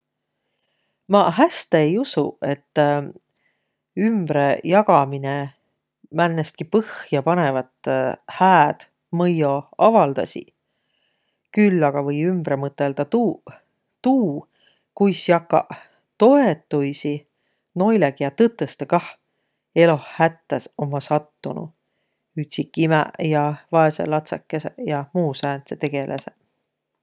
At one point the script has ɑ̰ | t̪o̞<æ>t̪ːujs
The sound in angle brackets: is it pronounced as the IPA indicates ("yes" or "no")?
no